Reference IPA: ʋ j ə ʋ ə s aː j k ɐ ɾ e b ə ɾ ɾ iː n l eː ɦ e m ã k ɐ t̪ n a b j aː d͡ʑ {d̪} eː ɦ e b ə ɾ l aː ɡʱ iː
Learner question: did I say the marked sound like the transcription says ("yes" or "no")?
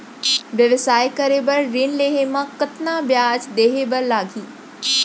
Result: yes